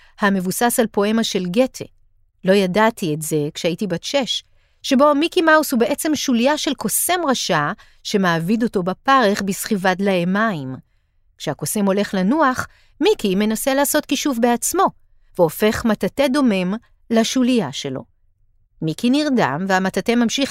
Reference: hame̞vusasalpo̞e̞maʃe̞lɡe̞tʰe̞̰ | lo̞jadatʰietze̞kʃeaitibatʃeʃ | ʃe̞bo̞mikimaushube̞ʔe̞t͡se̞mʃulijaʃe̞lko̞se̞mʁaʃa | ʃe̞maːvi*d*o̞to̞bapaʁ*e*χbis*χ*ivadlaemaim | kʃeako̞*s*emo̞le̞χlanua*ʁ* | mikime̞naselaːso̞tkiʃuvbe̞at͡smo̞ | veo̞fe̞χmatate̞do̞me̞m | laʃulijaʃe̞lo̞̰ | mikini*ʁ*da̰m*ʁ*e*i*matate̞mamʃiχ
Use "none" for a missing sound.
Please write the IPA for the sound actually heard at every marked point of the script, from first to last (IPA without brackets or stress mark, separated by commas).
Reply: d, e, χ, s, χ, ʁ, v, a